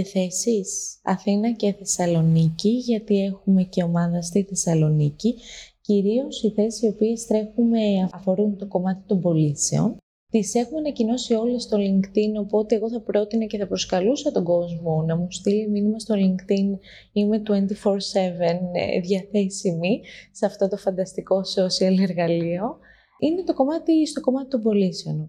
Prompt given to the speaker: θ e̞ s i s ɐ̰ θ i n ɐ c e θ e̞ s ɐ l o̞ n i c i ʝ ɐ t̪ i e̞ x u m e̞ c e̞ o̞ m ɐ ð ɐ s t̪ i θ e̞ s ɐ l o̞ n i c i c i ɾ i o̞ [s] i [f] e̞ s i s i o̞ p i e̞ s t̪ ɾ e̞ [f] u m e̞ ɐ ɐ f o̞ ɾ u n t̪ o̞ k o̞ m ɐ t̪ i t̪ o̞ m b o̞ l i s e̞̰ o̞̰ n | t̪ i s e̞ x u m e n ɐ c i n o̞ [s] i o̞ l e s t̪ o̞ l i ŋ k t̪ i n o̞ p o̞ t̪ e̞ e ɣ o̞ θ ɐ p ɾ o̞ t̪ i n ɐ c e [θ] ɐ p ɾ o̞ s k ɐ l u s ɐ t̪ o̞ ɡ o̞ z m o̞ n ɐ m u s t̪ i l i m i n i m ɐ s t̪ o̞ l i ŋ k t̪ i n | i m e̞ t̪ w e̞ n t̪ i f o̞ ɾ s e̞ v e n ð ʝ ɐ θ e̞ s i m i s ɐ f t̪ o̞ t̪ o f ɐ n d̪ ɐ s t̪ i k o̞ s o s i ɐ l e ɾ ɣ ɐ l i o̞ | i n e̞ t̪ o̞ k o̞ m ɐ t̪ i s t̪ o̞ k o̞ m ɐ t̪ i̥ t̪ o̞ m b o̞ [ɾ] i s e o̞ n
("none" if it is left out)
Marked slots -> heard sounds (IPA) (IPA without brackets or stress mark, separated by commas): s, θ, x, s, θ, l